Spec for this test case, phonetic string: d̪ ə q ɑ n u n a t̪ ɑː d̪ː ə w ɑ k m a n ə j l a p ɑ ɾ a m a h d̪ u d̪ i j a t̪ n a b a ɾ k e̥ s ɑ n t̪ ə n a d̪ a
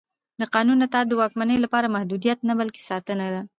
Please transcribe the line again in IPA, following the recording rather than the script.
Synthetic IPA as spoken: d̪ ə q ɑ n u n a t̪ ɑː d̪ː ə w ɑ k m a n ə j l a p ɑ ɾ a m a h d̪ u d̪ i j a t̪ n a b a l k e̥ s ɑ t̪ ə n a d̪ a